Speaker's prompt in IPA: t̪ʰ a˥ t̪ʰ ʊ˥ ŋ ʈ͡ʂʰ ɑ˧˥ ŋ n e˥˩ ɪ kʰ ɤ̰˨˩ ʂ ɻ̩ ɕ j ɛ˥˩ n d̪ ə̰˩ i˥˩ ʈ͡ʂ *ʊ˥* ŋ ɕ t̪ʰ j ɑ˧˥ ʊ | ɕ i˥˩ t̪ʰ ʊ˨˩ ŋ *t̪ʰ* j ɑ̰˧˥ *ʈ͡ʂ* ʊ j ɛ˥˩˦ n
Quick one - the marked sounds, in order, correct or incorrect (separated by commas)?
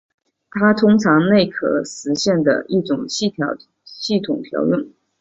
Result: incorrect, correct, incorrect